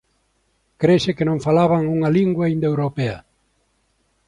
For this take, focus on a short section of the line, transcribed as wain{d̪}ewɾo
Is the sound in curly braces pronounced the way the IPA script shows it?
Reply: yes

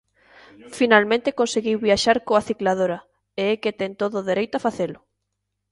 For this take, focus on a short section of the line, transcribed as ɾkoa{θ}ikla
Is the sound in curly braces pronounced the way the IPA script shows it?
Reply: yes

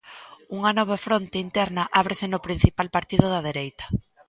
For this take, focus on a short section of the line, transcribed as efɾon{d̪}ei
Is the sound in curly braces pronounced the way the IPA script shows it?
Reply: no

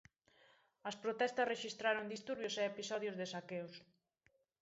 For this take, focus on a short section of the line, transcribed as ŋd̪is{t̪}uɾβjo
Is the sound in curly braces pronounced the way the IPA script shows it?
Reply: yes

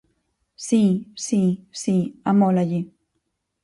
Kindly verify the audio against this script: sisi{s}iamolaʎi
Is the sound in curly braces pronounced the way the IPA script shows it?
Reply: yes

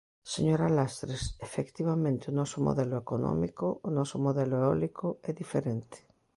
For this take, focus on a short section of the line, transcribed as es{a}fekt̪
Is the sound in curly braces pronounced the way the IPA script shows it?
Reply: no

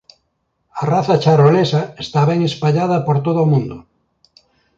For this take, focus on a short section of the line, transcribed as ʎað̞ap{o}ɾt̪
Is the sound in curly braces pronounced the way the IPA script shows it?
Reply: yes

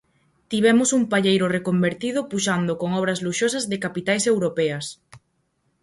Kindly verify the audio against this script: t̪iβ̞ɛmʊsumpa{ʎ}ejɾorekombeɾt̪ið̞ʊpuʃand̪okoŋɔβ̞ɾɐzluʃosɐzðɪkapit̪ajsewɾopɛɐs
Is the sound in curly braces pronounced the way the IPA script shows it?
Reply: yes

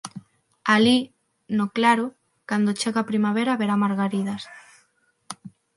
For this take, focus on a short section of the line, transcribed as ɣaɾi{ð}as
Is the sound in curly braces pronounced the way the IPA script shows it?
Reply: yes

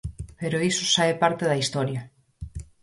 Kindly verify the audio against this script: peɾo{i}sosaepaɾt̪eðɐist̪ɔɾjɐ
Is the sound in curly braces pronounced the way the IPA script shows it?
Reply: yes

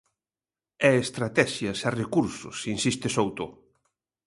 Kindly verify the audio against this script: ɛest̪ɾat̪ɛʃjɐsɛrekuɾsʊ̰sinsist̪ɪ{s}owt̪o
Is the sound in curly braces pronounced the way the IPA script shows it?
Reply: yes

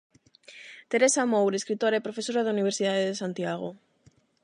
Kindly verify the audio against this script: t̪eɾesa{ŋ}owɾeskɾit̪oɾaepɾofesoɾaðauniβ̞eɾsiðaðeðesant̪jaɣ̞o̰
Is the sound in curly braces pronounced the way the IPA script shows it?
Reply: no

